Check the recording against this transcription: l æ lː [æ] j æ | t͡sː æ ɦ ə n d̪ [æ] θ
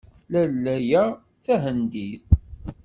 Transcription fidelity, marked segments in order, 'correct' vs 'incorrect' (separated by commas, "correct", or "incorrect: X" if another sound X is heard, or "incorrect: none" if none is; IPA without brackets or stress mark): correct, incorrect: i